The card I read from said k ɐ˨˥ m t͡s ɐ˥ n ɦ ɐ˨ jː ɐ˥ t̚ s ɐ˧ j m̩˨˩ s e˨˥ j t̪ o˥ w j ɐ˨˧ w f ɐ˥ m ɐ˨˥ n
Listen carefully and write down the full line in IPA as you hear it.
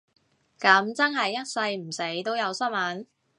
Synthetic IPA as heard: k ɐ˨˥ m t͡s ɐ˥ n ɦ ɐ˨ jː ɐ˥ t̚ s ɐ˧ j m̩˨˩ s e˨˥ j t̪ o˥ w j ɐ˨˧ w s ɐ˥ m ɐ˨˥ n